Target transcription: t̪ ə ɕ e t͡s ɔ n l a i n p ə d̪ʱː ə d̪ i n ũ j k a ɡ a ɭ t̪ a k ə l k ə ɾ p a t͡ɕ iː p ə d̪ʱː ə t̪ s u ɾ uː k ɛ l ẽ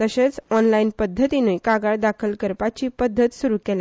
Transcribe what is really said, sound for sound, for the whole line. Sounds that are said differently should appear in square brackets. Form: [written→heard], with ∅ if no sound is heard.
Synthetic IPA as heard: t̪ ə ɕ e t͡s ɔ n l a i n p ə d̪ʱː ə [d̪→t̪] i n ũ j k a ɡ a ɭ [t̪→d̪] a [k→kʰ] ə l k ə ɾ p a t͡ɕ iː p ə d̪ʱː ə t̪ s u ɾ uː k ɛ l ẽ